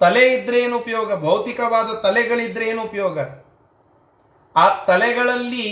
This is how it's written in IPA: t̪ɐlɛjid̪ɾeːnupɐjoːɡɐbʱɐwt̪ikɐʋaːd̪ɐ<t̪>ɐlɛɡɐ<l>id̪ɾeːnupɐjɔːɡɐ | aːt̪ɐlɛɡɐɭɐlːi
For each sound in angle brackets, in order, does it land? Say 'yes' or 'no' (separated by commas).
yes, no